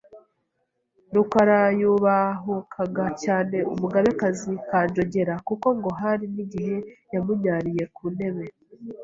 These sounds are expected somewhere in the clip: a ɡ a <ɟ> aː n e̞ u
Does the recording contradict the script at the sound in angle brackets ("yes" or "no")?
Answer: yes